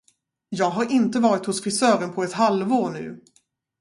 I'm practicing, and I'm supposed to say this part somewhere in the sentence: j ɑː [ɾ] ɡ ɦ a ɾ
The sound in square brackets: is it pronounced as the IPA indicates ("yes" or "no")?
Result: no